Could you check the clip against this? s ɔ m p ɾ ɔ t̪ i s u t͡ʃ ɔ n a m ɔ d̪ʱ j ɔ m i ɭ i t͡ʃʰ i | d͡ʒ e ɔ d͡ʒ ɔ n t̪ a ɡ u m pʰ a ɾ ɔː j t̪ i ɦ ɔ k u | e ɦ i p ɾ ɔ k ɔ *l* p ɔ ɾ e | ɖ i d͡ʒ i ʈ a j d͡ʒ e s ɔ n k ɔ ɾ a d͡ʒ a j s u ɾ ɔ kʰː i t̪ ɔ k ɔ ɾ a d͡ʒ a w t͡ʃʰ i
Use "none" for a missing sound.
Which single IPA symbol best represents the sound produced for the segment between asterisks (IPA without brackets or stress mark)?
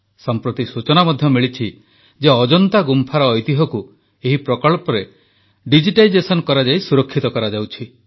ɭ